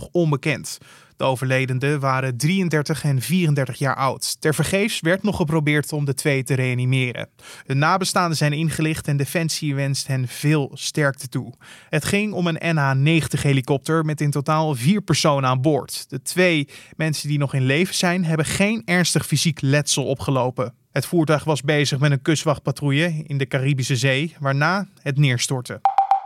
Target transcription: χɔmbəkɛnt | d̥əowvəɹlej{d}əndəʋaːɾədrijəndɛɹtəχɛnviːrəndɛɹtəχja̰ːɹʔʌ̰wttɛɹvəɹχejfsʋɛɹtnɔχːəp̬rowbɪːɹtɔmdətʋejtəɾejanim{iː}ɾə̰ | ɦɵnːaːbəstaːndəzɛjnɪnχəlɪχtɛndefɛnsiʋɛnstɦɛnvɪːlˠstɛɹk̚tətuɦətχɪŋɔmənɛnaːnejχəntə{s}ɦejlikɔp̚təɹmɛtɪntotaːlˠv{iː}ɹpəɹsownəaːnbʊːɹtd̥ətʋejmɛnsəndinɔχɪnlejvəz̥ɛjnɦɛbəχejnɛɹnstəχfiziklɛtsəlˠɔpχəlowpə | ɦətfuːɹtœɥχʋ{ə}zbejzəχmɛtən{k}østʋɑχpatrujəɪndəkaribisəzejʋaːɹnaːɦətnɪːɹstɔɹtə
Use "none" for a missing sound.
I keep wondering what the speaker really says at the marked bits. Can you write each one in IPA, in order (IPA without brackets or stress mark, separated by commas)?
d, ɪː, χ, iː, ɑ, k